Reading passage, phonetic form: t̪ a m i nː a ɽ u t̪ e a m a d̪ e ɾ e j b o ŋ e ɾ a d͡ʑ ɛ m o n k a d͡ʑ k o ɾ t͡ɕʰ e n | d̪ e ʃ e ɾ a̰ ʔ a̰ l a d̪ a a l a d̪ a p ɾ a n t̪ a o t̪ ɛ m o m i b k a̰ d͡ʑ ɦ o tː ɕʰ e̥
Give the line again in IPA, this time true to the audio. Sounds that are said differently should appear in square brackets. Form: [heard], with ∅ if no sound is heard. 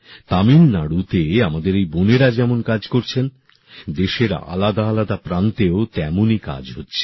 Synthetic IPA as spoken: t̪ a m i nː a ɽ u t̪ e a m a d̪ e ɾ e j b o [n] e ɾ a d͡ʑ ɛ m o n k a d͡ʑ k o ɾ t͡ɕʰ e n | d̪ e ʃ e ɾ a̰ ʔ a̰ l a d̪ a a l a d̪ a p ɾ a n t̪ [e] o t̪ ɛ m o [n] i [∅] k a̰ d͡ʑ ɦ o tː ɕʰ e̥